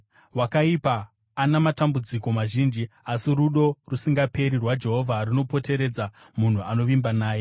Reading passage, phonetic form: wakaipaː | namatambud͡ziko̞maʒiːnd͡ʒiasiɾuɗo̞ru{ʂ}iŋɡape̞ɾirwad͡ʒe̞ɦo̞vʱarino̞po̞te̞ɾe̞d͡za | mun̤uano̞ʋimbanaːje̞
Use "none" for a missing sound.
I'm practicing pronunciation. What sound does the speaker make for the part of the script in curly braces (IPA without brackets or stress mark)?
s